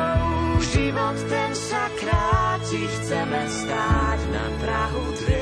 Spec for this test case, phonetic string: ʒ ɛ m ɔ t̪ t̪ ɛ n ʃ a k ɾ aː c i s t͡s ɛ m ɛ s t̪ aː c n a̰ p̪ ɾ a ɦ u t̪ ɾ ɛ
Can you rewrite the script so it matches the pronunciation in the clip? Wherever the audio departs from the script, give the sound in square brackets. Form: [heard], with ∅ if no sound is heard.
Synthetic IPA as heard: ʒ [i] m ɔ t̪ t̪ ɛ n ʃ a k ɾ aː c i [x] t͡s ɛ m ɛ s t̪ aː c n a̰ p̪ ɾ a ɦ u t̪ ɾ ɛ